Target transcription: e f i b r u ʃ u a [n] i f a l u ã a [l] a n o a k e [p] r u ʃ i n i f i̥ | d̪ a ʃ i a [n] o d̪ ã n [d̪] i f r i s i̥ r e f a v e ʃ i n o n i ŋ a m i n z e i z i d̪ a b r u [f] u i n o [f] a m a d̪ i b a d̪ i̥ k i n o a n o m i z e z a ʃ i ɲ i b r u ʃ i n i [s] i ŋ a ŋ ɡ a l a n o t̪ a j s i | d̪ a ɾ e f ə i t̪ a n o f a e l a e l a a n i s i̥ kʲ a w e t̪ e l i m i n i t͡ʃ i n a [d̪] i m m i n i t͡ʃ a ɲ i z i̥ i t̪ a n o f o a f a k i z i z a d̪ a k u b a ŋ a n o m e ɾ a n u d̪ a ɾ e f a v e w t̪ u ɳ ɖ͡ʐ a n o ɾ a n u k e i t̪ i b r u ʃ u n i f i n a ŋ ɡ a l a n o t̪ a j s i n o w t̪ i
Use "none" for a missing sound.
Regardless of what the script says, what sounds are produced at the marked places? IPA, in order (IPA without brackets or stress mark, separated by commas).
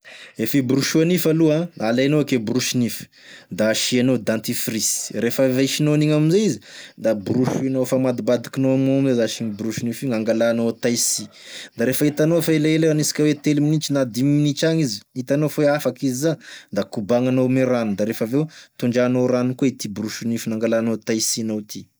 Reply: n, l, b, n, t̪, ʃ, f, f, d̪